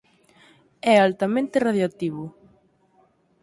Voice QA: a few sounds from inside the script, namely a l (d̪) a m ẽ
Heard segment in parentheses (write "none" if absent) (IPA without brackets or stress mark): t̪